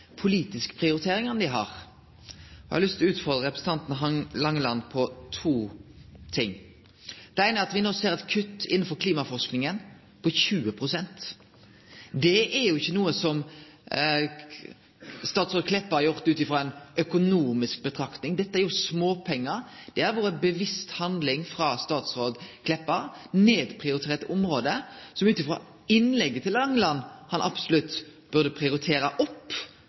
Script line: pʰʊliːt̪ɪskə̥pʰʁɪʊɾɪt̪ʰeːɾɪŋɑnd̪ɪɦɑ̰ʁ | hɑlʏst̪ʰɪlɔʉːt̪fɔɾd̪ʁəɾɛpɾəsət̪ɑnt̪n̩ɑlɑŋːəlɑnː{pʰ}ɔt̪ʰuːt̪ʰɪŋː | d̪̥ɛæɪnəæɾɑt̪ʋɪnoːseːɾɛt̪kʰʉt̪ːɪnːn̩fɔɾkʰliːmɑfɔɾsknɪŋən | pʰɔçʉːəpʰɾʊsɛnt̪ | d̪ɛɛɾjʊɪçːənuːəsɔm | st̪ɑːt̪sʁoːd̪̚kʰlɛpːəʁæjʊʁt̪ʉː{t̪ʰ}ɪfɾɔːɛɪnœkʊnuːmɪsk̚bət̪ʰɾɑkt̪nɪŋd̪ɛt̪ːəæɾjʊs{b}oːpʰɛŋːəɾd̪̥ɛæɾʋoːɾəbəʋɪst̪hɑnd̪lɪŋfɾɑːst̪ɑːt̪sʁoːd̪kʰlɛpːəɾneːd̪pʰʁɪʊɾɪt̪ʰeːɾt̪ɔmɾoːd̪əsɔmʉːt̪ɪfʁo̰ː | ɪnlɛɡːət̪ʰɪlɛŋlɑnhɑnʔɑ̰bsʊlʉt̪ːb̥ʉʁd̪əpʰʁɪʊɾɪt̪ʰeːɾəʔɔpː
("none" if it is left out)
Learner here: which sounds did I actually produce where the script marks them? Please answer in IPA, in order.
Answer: pʰ, t̪, m

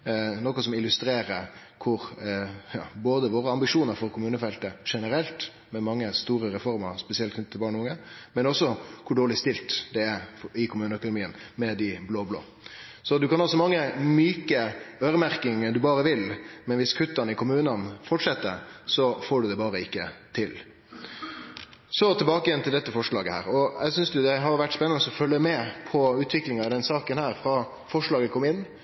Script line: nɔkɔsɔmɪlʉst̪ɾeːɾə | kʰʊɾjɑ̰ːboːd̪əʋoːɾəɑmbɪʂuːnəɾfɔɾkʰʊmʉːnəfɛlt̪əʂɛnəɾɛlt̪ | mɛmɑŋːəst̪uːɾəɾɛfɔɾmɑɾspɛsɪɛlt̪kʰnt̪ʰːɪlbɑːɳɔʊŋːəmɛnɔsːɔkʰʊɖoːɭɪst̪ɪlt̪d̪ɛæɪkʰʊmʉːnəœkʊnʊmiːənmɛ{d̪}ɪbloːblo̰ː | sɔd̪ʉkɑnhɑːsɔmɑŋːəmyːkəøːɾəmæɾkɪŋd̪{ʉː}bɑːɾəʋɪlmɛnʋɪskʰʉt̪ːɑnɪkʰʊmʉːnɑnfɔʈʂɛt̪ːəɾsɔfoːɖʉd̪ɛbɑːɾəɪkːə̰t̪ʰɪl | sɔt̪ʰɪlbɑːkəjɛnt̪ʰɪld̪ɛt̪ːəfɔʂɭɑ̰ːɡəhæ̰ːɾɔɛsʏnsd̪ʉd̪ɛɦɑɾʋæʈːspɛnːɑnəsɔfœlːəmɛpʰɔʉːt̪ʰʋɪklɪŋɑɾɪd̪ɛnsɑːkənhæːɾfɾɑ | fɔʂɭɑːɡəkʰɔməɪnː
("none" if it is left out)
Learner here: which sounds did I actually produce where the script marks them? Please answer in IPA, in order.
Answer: d̪, ʉ

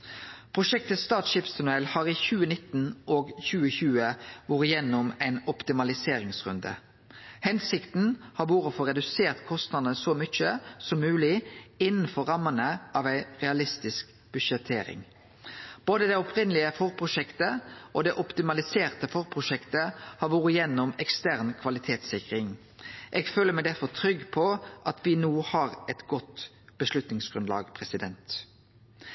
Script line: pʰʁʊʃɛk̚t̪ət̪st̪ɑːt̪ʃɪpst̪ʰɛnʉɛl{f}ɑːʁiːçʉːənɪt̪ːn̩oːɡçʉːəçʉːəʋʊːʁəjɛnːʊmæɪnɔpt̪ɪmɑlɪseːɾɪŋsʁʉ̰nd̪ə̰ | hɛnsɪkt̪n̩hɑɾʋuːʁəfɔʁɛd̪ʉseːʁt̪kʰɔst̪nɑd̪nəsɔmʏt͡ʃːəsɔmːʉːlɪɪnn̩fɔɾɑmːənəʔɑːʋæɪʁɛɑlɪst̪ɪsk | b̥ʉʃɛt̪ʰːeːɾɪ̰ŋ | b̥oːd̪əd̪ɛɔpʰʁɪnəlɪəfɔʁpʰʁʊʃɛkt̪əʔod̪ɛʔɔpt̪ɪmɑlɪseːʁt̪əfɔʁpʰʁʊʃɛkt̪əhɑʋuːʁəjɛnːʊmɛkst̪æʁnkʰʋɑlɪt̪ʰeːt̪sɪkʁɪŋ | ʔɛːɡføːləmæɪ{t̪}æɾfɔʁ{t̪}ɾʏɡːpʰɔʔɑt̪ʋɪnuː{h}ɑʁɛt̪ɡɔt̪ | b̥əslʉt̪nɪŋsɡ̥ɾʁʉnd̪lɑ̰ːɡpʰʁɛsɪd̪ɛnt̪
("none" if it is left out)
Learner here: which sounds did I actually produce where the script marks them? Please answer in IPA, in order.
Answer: h, d̪, t̪ʰ, h

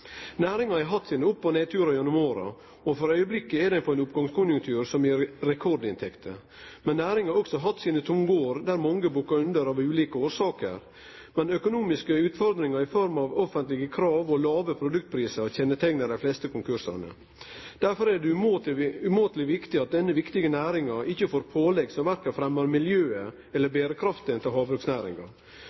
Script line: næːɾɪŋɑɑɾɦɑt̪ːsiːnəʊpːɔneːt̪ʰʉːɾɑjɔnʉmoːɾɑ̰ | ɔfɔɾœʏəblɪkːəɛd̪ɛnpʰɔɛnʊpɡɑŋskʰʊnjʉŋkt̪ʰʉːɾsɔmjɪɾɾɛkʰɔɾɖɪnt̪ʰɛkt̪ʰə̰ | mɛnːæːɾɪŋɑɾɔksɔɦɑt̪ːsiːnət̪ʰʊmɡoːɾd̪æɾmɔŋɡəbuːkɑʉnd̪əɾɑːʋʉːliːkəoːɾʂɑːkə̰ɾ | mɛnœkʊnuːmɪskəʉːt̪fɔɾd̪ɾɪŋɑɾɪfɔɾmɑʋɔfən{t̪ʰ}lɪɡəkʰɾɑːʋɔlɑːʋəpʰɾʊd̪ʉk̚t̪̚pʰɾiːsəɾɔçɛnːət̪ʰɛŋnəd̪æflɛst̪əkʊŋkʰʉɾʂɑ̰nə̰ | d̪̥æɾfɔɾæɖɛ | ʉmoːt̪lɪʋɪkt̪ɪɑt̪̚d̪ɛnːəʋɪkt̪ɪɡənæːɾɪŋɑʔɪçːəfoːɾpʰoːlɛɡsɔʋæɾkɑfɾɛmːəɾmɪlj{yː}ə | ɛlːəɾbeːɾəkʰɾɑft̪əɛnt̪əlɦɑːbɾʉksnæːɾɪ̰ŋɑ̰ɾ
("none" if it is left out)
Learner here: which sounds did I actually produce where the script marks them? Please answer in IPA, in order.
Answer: t̪, øː

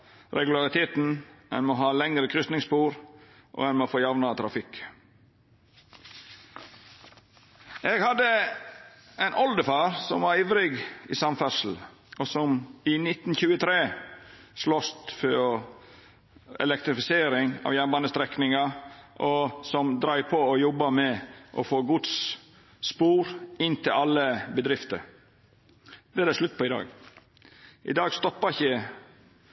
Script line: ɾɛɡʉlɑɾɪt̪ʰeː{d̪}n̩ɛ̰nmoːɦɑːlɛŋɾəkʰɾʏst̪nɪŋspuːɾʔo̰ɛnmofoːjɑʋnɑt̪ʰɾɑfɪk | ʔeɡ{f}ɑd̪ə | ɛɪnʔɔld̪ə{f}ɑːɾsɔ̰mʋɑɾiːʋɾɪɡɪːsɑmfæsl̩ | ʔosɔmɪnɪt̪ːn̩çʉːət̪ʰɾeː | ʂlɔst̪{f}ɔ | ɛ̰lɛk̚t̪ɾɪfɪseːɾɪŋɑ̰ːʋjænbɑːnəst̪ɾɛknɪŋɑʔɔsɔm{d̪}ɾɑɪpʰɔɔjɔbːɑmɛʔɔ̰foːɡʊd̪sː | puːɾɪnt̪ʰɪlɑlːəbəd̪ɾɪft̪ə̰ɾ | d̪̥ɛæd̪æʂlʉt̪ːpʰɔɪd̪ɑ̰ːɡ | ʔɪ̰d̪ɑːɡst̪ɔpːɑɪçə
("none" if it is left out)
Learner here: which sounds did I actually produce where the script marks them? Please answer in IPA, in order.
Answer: t̪, h, f, f, d̪

